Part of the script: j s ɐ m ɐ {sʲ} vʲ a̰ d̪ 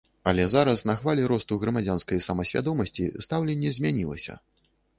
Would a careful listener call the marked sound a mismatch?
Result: no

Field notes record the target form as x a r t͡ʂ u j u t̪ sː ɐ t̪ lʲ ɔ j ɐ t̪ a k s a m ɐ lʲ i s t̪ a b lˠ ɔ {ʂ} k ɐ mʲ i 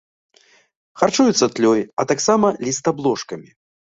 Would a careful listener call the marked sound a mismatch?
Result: no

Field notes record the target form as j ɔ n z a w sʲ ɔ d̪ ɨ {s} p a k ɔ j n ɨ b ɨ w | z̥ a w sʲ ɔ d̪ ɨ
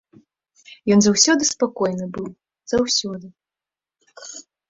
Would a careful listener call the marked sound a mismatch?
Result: no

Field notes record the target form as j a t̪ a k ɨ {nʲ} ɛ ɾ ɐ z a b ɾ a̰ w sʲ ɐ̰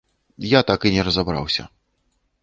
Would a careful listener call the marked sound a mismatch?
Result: no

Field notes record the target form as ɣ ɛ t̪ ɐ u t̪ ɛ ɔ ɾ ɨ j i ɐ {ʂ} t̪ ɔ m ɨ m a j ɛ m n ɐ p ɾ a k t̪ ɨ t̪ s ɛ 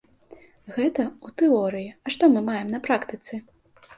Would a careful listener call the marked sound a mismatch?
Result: no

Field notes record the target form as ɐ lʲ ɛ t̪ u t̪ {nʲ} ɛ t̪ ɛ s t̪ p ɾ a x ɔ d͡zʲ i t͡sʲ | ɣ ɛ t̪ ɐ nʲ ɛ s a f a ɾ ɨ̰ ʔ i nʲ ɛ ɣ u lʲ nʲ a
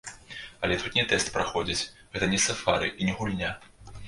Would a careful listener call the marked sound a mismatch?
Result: no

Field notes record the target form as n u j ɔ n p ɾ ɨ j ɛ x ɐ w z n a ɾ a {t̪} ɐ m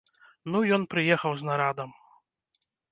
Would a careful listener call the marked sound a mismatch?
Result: yes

